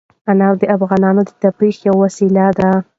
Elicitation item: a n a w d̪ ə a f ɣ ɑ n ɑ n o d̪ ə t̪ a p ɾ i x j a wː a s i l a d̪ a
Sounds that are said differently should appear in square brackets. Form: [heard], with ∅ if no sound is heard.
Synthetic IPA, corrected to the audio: a n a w d̪ ə a f ɣ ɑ n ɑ n o d̪ ə t̪ a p ɾ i x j a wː a s i l a d̪ a